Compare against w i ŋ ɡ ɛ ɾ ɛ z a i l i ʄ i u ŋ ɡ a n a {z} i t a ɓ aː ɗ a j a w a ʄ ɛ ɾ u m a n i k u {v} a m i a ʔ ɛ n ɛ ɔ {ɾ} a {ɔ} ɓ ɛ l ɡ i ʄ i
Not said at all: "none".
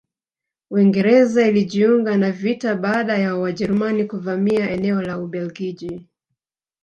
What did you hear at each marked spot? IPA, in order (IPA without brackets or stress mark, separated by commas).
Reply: v, v, l, u